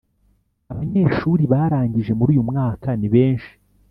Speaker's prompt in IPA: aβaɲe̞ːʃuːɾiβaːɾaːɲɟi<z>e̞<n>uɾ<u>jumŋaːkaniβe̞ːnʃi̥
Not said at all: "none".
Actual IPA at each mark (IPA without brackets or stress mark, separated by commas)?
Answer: ʒ, m, uː